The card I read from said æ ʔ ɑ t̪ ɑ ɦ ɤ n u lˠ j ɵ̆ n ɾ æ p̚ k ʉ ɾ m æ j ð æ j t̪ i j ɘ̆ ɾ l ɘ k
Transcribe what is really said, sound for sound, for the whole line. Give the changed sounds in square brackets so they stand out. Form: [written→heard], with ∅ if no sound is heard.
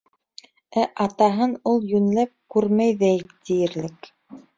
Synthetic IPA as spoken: æ ʔ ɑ t̪ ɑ ɦ ɤ n u lˠ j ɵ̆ n [ɾ→l] æ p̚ k ʉ ɾ m æ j ð æ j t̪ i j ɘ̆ ɾ l ɘ k